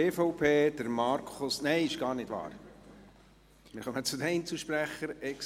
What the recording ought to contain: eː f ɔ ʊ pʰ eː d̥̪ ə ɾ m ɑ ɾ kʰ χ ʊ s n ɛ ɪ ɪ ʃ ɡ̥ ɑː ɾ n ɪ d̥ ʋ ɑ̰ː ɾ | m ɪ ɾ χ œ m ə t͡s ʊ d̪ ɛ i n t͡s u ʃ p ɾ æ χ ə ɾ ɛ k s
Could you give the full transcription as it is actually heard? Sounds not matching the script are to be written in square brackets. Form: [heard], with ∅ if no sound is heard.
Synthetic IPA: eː f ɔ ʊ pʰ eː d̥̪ ə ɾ m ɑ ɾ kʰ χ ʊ s n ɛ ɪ ɪ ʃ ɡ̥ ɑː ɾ n ɪ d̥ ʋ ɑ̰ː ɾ | m ɪ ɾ χ œ m ə t͡s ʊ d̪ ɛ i n t͡s u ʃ p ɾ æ χ ə ɾ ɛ k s